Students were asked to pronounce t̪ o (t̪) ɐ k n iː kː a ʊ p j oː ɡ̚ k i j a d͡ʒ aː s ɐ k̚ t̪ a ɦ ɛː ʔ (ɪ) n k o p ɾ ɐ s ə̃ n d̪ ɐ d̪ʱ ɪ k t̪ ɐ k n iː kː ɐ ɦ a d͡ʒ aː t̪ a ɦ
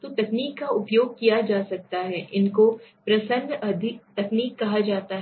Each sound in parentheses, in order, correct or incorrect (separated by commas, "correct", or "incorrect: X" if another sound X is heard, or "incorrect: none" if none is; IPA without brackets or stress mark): correct, correct